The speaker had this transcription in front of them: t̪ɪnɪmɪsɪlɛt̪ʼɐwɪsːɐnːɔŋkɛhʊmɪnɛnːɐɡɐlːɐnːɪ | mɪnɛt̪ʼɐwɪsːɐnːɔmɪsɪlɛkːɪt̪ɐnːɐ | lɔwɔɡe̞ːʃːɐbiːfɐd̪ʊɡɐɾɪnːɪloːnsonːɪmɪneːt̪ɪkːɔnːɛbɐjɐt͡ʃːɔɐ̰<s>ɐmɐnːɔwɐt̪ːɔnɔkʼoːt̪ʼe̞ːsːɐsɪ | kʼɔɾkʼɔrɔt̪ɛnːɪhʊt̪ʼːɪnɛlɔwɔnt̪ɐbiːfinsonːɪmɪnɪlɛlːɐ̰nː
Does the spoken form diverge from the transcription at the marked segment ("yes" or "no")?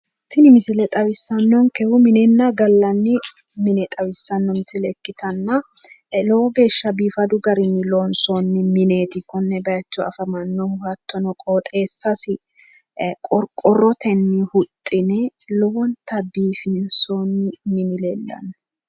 yes